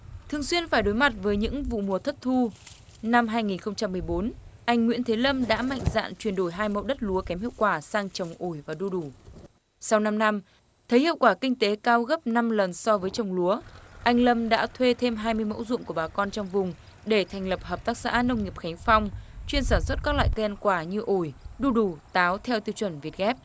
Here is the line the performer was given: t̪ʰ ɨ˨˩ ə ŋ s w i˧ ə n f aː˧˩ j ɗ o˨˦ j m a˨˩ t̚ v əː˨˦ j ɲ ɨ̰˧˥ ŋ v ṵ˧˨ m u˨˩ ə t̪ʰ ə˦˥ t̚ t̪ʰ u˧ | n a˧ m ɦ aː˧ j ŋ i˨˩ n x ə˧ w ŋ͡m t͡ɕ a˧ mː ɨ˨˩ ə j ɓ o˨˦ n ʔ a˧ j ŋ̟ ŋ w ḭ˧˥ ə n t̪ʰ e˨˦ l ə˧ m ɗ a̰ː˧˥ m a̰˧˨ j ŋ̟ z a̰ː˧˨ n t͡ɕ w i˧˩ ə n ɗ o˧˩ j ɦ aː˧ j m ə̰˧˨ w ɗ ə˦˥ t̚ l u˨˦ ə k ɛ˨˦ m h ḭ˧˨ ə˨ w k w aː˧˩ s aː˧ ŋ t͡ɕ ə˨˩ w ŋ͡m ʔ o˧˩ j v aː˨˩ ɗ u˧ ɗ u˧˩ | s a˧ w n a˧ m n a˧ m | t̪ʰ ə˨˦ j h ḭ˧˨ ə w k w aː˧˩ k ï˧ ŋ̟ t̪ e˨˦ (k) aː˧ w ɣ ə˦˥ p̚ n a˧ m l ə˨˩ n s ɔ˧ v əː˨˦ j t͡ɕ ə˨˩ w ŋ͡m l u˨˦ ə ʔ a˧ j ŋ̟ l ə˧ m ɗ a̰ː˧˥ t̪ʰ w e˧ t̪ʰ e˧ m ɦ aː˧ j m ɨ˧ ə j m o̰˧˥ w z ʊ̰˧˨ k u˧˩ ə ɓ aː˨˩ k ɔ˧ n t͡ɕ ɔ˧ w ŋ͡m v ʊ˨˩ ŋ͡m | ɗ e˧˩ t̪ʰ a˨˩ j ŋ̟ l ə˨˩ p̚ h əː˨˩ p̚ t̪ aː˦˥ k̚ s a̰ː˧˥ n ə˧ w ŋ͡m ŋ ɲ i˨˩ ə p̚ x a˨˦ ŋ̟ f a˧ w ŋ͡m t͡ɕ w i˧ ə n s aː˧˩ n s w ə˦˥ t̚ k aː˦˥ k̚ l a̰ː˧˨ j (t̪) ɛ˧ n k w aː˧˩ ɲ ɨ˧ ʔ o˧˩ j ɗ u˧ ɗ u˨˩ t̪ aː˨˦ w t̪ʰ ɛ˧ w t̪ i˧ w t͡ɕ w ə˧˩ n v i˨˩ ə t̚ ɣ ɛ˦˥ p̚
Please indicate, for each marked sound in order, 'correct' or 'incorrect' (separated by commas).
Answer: correct, correct